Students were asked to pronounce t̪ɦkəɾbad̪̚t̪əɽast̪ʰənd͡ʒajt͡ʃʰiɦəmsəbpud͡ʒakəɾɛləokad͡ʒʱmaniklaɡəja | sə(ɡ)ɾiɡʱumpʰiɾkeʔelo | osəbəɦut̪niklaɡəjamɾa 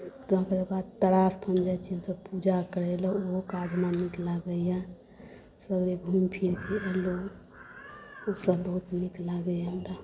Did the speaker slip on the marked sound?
no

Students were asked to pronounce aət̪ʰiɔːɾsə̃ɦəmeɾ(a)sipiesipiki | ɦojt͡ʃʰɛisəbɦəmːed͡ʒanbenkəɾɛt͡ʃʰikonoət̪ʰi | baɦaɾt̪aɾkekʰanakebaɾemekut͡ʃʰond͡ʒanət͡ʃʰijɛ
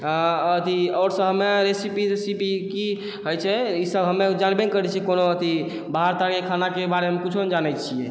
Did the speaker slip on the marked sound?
yes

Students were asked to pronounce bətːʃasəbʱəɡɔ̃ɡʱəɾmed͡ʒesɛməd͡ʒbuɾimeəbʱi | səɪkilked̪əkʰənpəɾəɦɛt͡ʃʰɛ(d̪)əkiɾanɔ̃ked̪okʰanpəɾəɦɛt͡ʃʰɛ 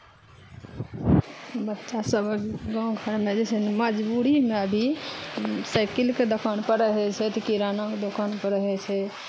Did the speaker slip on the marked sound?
yes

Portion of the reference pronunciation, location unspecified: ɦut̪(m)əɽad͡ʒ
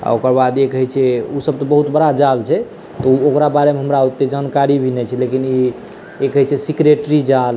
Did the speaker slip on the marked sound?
yes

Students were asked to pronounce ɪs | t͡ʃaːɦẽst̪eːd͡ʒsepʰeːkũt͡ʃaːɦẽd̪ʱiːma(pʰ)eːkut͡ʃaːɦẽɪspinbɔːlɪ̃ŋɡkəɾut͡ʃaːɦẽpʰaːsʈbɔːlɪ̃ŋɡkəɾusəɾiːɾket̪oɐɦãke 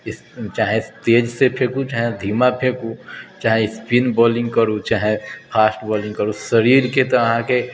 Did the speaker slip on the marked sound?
no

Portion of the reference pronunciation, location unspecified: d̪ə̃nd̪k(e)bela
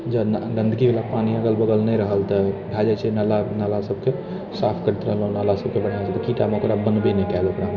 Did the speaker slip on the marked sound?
yes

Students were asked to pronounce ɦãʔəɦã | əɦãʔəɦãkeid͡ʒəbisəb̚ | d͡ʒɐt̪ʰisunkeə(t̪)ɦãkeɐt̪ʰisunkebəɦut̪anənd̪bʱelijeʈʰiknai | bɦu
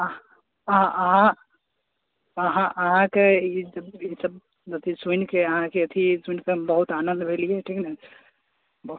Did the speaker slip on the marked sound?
yes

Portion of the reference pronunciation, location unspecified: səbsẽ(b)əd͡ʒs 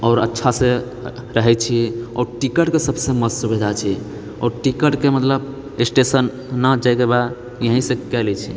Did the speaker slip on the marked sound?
yes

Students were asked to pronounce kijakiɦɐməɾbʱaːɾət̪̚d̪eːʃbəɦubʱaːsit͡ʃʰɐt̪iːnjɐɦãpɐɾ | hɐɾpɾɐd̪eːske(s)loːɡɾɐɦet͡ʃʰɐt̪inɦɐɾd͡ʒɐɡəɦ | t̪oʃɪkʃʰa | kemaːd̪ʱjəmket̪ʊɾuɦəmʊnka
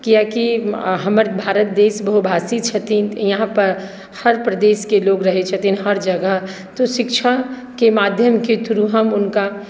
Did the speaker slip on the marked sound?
yes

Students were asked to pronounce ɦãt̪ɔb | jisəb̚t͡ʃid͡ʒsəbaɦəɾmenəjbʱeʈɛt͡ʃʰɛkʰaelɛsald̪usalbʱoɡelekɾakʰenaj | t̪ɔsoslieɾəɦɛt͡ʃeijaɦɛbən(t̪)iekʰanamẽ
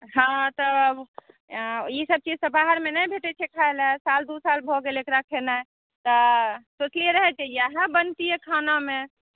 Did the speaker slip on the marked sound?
no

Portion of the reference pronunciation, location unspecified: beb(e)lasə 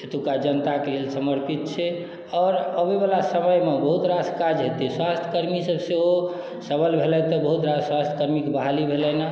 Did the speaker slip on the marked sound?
yes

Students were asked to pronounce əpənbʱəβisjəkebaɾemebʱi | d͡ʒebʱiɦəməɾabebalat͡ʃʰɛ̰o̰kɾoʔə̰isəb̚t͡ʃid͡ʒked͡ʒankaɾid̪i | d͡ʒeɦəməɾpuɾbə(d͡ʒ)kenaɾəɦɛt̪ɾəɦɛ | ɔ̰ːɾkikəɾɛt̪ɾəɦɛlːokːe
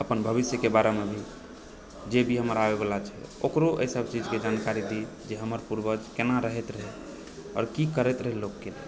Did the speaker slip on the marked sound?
no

